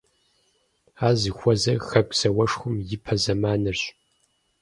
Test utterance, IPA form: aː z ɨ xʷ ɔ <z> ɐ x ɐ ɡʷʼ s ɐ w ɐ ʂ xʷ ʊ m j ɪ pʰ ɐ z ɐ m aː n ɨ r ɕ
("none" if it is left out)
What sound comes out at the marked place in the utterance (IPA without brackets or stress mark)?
z